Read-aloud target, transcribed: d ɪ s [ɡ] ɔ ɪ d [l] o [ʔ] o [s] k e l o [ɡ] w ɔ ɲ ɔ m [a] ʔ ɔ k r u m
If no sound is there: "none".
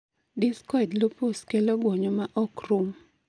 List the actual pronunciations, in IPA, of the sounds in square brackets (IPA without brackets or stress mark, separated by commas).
k, l, p, s, ɡ, a